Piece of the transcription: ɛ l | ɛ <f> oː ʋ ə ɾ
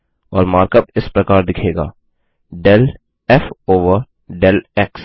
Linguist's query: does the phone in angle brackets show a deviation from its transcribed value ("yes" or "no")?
no